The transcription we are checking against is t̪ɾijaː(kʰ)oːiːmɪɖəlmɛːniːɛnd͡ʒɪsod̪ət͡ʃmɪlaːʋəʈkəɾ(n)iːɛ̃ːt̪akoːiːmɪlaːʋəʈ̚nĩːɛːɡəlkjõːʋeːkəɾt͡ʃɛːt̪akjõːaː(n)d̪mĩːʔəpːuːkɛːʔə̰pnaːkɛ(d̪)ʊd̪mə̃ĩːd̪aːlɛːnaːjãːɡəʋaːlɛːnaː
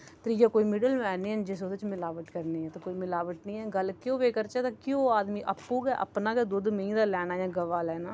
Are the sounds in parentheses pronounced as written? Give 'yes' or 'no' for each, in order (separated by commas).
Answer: no, yes, no, yes